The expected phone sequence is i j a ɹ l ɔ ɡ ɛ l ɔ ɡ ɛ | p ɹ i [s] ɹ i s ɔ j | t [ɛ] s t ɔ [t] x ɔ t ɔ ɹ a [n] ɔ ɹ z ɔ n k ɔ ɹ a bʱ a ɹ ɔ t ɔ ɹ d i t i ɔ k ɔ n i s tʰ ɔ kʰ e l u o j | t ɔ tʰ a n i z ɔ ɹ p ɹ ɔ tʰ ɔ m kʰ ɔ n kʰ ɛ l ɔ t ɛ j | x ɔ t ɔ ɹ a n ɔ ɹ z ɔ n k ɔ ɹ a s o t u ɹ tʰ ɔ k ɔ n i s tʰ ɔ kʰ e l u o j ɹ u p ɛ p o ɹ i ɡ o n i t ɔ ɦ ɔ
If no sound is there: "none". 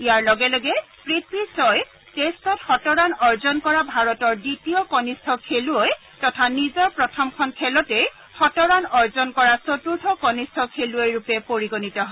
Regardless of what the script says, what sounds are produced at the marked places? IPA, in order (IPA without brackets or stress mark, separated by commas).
t, e, t, n